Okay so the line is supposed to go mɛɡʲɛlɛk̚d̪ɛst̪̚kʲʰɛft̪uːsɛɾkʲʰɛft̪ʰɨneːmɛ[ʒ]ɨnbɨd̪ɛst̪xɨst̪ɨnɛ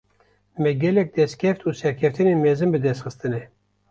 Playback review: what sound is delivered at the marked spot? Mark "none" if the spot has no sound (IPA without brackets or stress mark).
z